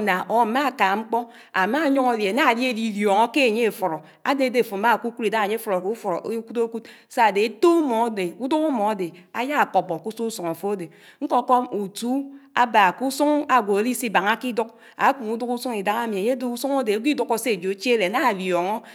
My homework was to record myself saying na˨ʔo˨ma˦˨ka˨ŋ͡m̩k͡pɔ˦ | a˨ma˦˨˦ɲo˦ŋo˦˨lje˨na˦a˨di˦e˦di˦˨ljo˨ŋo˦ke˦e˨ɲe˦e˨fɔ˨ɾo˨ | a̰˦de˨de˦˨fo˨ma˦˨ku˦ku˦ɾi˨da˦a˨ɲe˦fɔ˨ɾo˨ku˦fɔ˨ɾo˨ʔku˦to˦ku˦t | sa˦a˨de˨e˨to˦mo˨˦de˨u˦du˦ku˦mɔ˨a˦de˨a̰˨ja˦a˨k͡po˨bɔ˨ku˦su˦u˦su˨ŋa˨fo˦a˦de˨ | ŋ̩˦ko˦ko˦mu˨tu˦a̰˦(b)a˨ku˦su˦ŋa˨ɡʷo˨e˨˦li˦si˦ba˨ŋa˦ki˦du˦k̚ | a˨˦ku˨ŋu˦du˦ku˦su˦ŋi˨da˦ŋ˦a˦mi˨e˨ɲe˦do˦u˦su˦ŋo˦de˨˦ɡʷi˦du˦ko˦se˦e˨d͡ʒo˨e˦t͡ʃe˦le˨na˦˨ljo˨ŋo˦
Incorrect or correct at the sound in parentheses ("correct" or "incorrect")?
correct